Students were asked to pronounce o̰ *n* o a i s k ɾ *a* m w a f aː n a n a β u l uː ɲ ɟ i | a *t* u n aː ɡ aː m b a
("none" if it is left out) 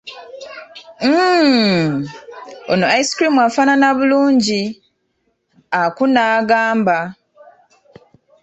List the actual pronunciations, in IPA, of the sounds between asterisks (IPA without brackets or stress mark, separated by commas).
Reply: n, i, k